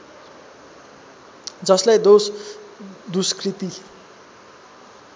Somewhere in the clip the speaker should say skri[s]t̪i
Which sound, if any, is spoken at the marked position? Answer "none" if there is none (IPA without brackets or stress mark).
none